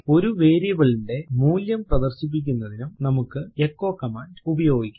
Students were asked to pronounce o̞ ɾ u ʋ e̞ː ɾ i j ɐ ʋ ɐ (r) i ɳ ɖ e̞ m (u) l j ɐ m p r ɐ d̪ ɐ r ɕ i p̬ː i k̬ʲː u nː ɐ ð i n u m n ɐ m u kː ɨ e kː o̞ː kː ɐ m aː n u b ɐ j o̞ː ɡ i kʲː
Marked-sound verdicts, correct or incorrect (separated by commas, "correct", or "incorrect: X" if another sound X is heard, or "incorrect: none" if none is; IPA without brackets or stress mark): incorrect: ɭ, incorrect: uː